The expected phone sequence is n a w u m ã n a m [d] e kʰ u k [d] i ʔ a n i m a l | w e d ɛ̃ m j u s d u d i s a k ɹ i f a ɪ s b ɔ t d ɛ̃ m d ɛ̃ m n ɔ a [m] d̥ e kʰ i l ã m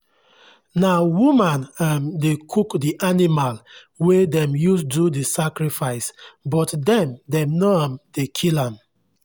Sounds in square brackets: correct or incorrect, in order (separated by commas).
correct, correct, correct